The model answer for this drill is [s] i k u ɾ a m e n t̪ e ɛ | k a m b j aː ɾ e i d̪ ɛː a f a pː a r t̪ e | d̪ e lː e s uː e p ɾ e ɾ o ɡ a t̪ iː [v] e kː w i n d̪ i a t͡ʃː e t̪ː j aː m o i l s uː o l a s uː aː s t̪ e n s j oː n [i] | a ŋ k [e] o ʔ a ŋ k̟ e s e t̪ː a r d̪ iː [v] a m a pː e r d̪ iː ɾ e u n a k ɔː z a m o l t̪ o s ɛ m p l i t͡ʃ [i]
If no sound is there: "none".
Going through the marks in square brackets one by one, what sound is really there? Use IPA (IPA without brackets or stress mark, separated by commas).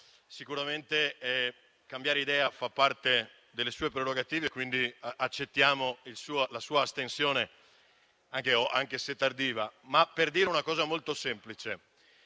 s, v, e, e, v, e